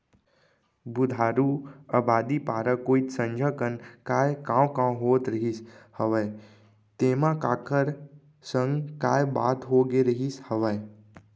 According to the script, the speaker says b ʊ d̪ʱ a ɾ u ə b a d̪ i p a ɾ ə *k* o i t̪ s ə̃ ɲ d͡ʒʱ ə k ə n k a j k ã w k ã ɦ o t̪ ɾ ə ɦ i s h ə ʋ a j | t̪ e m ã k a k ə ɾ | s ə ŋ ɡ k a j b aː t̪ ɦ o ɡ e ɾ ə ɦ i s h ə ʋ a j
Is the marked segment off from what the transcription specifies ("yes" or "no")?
no